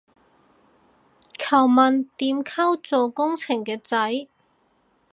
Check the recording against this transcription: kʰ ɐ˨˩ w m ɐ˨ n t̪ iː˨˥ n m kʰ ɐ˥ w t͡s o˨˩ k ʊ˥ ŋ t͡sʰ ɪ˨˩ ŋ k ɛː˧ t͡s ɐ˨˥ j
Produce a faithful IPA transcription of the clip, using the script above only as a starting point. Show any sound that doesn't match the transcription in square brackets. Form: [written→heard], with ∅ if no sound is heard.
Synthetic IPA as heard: kʰ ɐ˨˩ w m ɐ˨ n t̪ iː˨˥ [n→∅] m kʰ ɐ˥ w t͡s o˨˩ k ʊ˥ ŋ t͡sʰ ɪ˨˩ ŋ k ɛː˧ t͡s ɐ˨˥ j